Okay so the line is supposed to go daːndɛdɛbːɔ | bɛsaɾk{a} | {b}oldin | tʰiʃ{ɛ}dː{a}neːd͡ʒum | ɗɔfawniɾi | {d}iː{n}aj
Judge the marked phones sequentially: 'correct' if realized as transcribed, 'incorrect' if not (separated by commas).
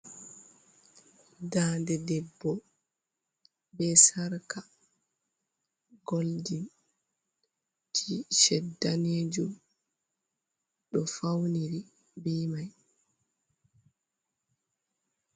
correct, incorrect, correct, correct, incorrect, incorrect